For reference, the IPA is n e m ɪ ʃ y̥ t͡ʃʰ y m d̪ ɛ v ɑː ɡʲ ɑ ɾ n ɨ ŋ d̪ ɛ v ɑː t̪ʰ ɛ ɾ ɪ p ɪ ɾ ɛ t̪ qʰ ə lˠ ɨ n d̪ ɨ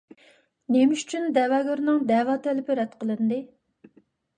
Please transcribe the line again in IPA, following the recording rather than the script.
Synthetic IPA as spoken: n e m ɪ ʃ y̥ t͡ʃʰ y n d̪ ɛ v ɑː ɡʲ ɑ ɾ n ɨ ŋ d̪ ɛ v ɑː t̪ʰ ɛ l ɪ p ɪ ɾ ɛ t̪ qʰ ə lˠ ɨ n d̪ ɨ